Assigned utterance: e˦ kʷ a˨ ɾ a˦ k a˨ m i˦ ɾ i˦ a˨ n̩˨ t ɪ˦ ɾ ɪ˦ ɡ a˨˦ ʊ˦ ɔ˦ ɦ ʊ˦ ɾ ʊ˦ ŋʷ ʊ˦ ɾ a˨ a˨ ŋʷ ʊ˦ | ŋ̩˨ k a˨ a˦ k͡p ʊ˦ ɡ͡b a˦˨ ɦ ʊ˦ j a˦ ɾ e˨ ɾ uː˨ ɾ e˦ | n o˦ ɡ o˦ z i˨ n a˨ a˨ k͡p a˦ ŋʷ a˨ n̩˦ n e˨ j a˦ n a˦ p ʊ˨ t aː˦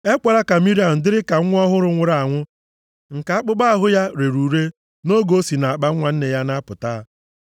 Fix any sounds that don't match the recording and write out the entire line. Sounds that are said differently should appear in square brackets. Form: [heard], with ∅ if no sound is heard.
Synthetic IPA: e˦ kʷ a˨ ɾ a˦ k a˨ m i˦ ɾ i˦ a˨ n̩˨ [d] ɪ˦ ɾ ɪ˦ [k] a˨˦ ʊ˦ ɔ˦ ɦ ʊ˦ ɾ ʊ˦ ŋʷ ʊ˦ ɾ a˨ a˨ ŋʷ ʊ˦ | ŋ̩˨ k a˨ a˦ k͡p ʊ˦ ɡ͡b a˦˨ ɦ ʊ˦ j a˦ ɾ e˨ ɾ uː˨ ɾ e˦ | n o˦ ɡ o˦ [s] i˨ n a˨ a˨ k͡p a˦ ŋʷ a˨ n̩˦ n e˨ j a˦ n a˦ p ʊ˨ t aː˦